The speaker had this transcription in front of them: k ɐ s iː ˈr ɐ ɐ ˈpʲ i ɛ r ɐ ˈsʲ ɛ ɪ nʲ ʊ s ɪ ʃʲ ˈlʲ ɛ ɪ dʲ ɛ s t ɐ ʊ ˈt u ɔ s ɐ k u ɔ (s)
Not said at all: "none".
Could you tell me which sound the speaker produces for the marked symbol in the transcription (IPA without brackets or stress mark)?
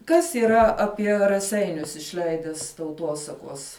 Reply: s